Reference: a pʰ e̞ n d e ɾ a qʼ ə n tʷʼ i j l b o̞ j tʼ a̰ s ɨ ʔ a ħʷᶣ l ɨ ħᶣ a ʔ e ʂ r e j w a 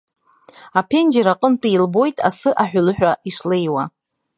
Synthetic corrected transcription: a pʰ e̞ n d͡ʒ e ɾ a qʼ ə n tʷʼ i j l b o̞ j tʼ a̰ s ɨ ʔ a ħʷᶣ l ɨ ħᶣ a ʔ i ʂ l e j w a

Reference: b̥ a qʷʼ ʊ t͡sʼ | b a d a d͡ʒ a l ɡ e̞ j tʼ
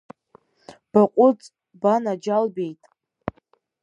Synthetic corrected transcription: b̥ a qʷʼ ʊ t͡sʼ | b a n a d͡ʒ a l b e̞ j tʼ

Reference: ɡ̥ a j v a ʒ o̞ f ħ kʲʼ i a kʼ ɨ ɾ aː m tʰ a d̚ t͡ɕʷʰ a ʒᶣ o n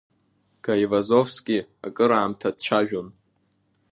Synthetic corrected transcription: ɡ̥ a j v a z o̞ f s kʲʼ i a kʼ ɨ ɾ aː m tʰ a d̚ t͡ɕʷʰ a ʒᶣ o n

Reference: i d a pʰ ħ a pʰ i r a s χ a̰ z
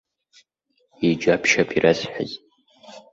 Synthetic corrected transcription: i d͡ʒ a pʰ ʃ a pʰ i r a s ħ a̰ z

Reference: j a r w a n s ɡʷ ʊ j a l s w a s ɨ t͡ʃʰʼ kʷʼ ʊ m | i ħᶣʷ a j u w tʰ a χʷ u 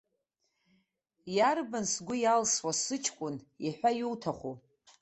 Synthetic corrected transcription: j a r b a n s ɡʷ ʊ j a l s w a s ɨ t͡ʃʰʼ kʷʼ ʊ n | i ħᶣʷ a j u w tʰ a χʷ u

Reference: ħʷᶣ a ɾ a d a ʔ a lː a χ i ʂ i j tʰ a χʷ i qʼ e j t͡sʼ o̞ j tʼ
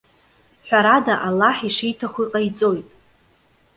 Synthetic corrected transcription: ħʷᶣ a ɾ a d a ʔ a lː a ħ i ʂ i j tʰ a χʷ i qʼ a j t͡sʼ o̞ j tʼ

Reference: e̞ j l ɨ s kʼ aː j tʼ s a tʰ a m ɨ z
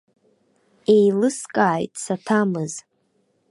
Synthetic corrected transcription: e̞ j l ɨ s kʼ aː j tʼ s a tʰ a m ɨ z

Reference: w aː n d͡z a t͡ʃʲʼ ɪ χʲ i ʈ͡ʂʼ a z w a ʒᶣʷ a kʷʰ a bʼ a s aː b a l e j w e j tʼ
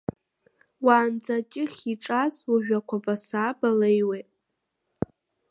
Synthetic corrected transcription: w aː n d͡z a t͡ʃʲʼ ɪ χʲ i ʈ͡ʂʼ a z w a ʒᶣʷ a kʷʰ a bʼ a s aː b a l e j w e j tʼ

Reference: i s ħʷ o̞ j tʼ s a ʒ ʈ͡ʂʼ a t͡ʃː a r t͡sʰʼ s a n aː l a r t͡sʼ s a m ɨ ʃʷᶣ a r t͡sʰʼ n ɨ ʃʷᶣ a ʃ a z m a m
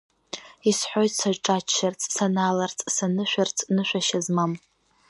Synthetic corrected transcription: i s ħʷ o̞ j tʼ s a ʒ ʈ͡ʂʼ a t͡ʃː a r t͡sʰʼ s a n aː l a r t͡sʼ s a n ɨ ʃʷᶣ a r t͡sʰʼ n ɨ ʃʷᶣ a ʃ a z m a m

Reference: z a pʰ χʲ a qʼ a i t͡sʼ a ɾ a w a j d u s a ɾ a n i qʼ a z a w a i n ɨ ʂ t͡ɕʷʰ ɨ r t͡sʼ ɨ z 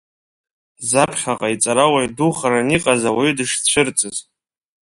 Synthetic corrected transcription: z a pʰ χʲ a qʼ a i t͡sʼ a ɾ a w a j d u χ a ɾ a n i qʼ a z a w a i d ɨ ʂ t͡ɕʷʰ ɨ r t͡sʼ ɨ z

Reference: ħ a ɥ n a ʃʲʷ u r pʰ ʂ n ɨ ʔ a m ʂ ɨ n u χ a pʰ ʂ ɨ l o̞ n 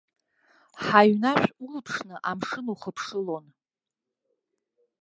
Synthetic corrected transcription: ħ a ɥ n a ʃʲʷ u l pʰ ʂ n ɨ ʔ a m ʂ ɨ n u χ ə pʰ ʂ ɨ l o̞ n

